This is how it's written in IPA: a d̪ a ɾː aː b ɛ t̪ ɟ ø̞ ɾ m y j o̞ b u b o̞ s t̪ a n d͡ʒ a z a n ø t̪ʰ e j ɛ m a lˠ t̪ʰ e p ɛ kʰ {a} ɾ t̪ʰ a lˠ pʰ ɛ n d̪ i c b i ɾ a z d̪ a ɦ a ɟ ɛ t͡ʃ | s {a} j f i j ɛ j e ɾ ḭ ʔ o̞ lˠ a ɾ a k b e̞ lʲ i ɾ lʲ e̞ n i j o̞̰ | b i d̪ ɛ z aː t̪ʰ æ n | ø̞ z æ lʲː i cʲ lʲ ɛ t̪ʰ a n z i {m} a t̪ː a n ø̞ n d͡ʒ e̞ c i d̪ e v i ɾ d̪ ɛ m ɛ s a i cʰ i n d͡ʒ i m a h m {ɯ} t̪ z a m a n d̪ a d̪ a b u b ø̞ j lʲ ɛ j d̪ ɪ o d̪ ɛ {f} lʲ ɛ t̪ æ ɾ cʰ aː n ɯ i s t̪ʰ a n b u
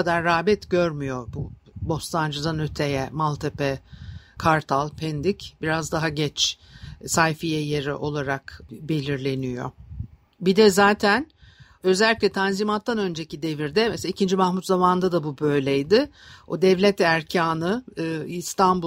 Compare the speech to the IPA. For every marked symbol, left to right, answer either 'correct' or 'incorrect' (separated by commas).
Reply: correct, correct, correct, incorrect, incorrect